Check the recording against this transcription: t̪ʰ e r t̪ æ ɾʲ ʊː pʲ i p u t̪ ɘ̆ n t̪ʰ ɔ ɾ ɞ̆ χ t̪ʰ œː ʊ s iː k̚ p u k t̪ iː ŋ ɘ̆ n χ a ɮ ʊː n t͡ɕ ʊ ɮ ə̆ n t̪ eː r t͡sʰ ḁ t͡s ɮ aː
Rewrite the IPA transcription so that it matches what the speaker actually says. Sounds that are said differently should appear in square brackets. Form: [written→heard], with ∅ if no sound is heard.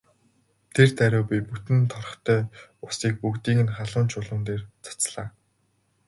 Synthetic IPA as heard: t̪ʰ e r t̪ æ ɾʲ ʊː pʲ i p u t̪ ɘ̆ n t̪ʰ ɔ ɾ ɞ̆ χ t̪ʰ œː ʊ s iː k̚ p u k t̪ iː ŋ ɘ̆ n χ a ɮ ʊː n t͡ɕ ʊ ɮ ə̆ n t̪ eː r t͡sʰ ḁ t͡s ɮ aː